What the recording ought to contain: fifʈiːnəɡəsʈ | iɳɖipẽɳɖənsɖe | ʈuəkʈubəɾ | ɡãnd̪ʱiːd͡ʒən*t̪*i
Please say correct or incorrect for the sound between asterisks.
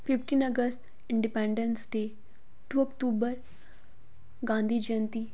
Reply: correct